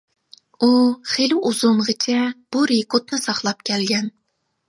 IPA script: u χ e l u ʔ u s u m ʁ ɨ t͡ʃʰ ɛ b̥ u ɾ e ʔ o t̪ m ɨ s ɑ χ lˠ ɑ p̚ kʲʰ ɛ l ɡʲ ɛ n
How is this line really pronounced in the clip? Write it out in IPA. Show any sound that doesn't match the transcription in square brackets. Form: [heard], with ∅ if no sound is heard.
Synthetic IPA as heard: u χ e l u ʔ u [z] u m ʁ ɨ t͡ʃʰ ɛ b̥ u ɾ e [k] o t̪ [n] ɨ s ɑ χ lˠ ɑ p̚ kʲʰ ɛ l ɡʲ ɛ n